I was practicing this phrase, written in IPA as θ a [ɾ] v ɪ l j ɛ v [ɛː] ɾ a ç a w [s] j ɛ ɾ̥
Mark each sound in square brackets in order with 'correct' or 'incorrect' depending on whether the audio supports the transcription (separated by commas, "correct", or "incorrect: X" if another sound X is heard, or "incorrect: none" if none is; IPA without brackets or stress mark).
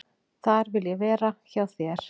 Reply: correct, correct, incorrect: θ